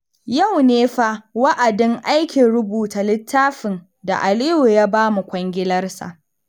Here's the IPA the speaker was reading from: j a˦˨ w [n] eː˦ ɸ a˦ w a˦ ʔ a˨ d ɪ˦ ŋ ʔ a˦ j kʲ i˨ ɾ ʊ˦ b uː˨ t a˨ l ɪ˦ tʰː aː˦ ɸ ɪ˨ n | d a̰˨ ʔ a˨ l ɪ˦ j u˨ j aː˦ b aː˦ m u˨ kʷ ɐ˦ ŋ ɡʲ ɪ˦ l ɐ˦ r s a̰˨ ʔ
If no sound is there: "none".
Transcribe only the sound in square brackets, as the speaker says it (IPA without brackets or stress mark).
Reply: n